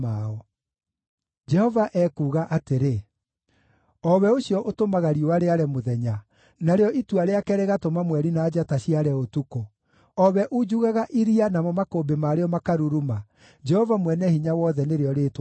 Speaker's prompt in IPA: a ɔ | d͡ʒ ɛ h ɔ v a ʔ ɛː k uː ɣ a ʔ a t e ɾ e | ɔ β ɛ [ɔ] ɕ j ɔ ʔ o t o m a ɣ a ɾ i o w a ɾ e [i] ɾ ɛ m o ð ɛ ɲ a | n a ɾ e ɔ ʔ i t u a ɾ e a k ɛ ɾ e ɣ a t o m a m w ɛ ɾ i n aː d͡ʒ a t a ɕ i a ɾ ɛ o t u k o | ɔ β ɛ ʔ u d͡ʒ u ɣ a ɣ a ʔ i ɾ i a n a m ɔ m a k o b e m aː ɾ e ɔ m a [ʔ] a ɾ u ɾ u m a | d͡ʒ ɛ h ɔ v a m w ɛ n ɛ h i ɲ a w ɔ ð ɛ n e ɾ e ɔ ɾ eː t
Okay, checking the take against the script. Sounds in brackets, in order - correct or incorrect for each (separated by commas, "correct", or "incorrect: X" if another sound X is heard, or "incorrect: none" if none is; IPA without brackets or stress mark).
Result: incorrect: o, incorrect: a, incorrect: k